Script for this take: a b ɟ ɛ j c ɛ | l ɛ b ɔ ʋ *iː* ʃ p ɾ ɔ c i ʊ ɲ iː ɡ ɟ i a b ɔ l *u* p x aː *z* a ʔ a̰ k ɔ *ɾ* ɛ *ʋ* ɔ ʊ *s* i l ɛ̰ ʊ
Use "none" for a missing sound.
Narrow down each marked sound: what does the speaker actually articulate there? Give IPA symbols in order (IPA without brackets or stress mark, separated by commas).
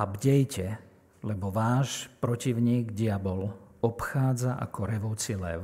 aː, ɔ, d͡z, ɾ, ʋ, t͡s